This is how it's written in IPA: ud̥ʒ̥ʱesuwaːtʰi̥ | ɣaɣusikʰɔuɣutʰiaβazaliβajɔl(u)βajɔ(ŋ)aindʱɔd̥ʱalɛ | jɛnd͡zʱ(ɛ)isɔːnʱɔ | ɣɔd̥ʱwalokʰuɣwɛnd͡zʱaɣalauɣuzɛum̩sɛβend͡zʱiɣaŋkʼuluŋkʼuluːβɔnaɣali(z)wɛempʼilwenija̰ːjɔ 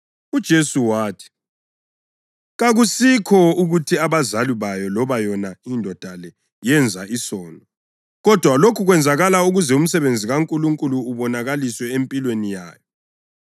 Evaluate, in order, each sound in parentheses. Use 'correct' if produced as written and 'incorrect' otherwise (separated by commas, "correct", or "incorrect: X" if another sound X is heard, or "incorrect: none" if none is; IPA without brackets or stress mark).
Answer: incorrect: ɔ, incorrect: n, incorrect: a, incorrect: s